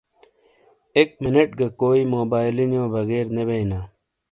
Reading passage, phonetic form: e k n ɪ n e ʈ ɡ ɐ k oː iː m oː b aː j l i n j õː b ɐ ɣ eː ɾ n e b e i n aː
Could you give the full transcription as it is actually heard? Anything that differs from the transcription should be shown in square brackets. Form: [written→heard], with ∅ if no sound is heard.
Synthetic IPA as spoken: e k [n→m] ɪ n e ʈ ɡ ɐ k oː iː m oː b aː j l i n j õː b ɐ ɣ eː ɾ n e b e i n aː